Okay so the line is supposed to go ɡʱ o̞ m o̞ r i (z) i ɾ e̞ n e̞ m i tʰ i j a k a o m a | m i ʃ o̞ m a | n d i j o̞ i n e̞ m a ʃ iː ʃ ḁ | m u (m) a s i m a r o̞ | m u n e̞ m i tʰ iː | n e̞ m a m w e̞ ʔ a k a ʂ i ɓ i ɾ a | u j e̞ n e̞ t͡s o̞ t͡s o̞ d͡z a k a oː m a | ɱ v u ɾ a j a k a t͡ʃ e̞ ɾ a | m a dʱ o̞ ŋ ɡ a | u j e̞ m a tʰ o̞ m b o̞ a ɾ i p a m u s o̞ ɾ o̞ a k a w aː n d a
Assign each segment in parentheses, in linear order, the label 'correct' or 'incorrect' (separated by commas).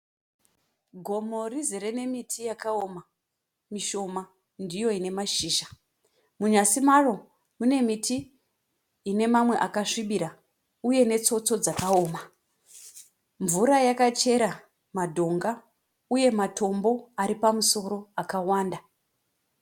correct, incorrect